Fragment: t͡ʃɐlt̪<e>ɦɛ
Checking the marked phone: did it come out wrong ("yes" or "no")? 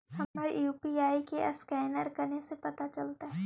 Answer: yes